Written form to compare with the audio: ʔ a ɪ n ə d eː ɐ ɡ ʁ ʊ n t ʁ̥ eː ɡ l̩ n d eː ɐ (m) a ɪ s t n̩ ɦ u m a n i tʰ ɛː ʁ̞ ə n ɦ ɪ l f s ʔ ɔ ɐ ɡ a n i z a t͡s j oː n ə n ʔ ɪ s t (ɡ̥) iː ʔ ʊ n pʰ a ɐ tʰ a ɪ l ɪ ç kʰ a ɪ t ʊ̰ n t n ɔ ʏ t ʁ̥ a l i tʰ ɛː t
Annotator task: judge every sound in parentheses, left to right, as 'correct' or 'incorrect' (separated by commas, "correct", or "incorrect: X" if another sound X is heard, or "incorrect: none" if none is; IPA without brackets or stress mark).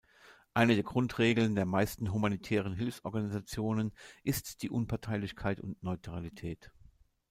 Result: correct, incorrect: d̥